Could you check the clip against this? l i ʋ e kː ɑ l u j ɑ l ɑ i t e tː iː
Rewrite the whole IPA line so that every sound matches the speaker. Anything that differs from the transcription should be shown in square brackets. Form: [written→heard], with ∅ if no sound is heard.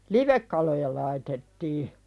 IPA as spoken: l i ʋ e kː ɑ l [u→o] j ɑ l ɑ i t e tː iː